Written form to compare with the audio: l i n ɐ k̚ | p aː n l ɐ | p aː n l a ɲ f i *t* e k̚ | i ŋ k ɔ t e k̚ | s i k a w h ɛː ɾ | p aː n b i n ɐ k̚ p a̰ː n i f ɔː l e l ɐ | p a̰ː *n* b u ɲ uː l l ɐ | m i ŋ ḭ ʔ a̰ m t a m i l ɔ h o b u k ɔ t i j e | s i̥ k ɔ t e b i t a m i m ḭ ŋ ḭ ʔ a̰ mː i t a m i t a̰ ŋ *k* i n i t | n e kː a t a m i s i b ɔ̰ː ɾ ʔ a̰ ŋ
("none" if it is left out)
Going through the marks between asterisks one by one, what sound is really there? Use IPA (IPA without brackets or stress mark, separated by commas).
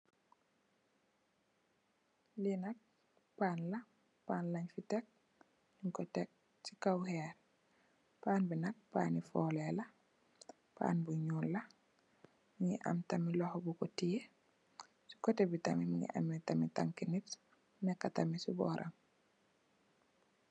t, n, k